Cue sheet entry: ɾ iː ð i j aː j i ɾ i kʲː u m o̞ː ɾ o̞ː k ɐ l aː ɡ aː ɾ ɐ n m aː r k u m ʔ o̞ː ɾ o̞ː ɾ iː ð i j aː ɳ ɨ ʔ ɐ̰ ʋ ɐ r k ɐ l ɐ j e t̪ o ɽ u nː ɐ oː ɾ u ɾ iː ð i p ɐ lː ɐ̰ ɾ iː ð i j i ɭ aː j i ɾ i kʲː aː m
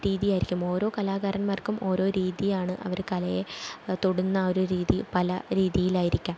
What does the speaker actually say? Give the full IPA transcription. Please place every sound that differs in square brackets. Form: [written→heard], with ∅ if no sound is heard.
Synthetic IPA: ɾ iː ð i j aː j i ɾ i kʲː u m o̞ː ɾ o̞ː k ɐ l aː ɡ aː ɾ ɐ n m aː r k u m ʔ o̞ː ɾ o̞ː ɾ iː ð i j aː ɳ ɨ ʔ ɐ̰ ʋ ɐ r k ɐ l ɐ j e t̪ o ɽ u nː ɐ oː ɾ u ɾ iː ð i p ɐ [lː→l] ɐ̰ ɾ iː ð i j i [ɭ→l] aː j i ɾ i kʲː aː m

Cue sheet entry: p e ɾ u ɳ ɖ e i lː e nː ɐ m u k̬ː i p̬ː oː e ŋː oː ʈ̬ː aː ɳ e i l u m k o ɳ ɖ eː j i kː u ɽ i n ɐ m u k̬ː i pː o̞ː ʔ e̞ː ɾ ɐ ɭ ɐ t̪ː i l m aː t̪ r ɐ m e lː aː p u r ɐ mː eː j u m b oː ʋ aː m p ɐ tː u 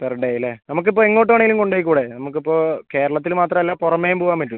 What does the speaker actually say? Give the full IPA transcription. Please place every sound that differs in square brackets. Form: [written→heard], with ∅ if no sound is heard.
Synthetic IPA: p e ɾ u ɳ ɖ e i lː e [nː→n] ɐ m u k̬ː i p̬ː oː e ŋː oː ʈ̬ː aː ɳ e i l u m k o ɳ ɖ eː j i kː [u→uː] ɽ [i→e] n ɐ m u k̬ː i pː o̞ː [ʔ→k] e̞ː ɾ ɐ ɭ ɐ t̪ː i l m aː t̪ r ɐ m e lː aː p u r ɐ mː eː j u m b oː ʋ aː m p ɐ tː u

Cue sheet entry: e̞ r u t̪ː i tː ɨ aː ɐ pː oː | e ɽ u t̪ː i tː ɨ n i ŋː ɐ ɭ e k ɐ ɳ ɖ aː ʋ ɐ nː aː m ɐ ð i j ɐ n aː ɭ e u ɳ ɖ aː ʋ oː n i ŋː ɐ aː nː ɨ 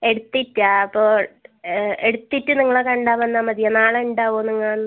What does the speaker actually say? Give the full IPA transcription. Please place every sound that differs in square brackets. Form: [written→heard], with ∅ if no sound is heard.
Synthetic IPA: e̞ [r→ɽ] u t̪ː i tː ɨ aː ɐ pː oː | e ɽ u t̪ː i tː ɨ n i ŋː ɐ ɭ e k ɐ ɳ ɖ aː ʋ ɐ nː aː m ɐ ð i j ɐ n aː ɭ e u ɳ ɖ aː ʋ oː n i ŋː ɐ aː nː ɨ

